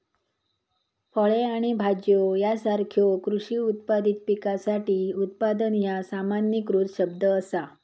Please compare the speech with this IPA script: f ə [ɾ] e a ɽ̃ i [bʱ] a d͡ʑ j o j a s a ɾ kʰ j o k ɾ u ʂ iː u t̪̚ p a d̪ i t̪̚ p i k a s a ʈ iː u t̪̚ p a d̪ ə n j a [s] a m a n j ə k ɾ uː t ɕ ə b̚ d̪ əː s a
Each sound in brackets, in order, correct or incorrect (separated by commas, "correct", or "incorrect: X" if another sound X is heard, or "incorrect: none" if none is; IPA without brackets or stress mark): incorrect: ɭ, correct, correct